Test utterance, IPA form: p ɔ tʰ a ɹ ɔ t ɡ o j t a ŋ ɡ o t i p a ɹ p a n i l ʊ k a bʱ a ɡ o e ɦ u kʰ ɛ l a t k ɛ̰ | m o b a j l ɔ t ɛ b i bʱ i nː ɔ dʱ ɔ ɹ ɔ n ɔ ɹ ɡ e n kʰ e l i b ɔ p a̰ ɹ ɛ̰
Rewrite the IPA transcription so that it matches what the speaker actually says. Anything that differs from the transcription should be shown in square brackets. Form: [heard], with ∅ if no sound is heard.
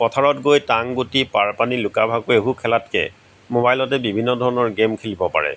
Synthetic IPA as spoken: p ɔ tʰ a ɹ ɔ t ɡ o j t a ŋ ɡ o t i p a ɹ p a n i l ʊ k a bʱ a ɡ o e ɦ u kʰ ɛ l a t k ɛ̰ | m o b a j l ɔ t ɛ b i bʱ i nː ɔ dʱ ɔ ɹ ɔ n ɔ ɹ ɡ e [m] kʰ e l i b ɔ p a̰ ɹ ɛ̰